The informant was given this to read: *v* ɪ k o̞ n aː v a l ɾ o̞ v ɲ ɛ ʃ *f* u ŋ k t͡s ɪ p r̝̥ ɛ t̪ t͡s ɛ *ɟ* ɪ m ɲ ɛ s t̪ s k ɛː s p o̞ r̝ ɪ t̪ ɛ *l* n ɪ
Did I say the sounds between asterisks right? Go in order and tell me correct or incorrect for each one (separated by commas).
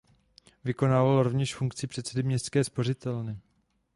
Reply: correct, correct, incorrect, correct